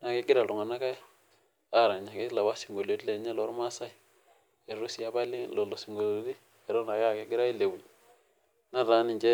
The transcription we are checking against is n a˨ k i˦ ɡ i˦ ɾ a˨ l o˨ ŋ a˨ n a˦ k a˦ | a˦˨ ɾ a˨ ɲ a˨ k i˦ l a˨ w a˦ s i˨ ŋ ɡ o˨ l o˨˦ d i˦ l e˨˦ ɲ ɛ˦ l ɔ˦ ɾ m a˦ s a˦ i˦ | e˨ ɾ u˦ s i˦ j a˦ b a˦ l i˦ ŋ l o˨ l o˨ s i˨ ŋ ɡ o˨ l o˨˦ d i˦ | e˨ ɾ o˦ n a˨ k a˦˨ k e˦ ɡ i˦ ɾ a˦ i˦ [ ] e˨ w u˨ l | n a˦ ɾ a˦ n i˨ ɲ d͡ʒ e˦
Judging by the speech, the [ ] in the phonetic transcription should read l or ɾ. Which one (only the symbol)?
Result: l